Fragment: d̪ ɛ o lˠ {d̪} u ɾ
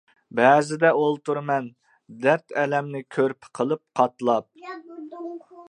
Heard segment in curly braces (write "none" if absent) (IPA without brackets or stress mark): t̪